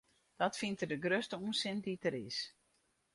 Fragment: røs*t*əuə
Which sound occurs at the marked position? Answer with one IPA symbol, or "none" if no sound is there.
t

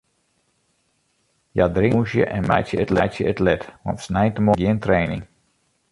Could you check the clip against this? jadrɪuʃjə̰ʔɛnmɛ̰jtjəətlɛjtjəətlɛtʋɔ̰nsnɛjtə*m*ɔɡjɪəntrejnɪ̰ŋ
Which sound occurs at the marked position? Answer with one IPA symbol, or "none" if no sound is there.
m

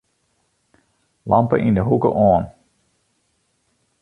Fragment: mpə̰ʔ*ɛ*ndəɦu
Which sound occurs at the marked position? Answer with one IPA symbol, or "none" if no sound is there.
i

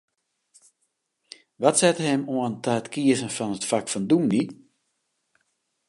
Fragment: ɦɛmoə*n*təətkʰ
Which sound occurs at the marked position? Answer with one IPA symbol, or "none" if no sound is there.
n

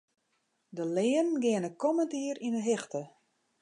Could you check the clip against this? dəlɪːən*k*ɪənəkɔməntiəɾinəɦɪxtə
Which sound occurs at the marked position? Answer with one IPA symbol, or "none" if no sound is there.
ɡ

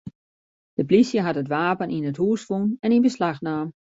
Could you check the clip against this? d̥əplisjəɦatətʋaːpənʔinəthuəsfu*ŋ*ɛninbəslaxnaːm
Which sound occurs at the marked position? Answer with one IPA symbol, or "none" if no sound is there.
n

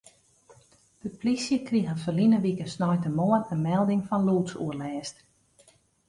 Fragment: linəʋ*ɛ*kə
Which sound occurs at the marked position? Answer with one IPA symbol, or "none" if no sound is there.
i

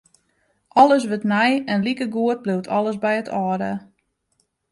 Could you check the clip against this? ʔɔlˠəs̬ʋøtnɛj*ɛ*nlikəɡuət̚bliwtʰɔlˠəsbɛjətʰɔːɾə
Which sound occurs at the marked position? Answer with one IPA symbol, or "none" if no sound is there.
ɛ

